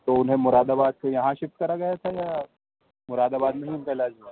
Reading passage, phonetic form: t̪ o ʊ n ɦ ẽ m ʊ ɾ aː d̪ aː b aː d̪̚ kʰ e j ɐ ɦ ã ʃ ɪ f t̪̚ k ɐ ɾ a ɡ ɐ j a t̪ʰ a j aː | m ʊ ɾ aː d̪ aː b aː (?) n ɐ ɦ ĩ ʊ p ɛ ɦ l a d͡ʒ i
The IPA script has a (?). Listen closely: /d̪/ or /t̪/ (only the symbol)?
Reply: d̪